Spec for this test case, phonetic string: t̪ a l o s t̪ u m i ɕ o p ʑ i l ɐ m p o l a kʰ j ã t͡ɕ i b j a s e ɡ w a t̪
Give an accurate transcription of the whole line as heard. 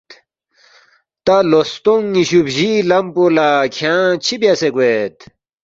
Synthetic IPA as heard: t̪ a l o s t̪ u ŋ i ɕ u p ʑ i l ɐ m p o l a kʰ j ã t͡ɕʰ i b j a s e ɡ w e t̪